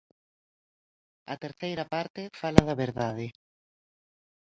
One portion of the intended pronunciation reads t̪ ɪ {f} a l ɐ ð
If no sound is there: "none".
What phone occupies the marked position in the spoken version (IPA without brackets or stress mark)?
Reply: f